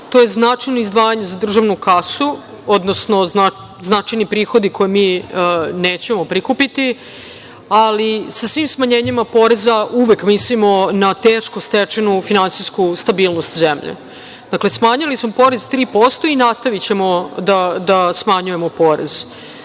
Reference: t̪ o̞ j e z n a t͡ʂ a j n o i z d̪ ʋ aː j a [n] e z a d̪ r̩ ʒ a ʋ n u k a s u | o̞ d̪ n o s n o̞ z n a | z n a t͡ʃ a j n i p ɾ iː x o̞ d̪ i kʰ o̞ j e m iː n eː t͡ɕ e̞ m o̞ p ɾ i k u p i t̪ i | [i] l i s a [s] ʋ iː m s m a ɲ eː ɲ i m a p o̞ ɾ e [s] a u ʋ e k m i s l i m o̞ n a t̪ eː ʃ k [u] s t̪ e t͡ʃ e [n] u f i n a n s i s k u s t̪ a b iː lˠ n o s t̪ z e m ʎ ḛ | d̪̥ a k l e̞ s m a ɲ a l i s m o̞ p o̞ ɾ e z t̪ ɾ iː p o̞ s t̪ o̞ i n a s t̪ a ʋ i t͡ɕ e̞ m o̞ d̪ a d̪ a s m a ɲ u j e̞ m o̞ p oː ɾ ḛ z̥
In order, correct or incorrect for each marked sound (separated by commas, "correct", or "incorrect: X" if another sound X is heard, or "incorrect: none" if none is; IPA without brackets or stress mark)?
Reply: incorrect: ɲ, incorrect: a, correct, incorrect: z, incorrect: o, correct